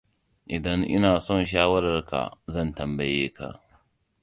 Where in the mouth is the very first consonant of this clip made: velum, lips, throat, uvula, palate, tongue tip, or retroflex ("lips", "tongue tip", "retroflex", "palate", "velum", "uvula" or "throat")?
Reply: throat